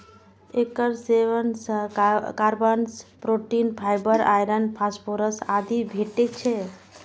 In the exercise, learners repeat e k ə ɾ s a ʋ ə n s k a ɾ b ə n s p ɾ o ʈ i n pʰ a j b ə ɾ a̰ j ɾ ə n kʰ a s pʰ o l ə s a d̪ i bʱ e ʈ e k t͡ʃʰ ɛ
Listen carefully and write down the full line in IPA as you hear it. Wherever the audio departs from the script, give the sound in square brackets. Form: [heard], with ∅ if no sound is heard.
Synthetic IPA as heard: e k ə ɾ s [e] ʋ ə n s k a ɾ b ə n s p ɾ o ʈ i n pʰ a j b ə ɾ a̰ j ɾ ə n [pʰ] a s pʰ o [ɾ] ə s a d̪ i bʱ e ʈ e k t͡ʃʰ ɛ